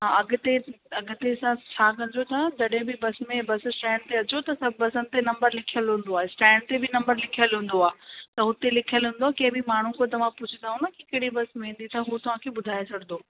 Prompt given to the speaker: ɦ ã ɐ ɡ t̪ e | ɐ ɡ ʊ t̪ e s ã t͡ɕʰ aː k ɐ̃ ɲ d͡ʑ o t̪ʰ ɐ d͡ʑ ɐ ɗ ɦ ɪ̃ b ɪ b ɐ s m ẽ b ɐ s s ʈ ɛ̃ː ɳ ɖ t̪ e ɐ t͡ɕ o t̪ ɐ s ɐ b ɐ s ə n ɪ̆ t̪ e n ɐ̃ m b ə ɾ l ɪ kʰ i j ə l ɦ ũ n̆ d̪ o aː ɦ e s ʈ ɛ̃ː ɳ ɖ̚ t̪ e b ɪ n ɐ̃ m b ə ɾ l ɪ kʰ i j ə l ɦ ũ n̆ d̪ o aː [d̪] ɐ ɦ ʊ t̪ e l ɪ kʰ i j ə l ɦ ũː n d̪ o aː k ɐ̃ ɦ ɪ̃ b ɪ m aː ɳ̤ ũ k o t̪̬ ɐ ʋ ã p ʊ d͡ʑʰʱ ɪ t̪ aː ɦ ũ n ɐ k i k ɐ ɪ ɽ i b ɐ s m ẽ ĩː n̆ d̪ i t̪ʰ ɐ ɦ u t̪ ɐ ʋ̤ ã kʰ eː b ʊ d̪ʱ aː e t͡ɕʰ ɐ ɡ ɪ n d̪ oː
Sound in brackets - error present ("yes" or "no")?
yes